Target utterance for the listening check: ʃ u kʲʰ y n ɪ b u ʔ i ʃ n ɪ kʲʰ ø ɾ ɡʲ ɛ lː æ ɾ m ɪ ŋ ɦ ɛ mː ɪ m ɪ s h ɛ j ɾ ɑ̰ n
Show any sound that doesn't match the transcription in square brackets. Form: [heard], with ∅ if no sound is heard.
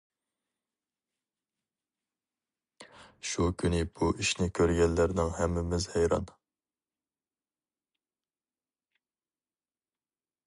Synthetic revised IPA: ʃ u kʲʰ y n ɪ b u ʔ i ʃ n ɪ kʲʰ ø ɾ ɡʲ ɛ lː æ ɾ [n] ɪ ŋ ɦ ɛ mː ɪ m ɪ [z] h ɛ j ɾ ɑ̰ n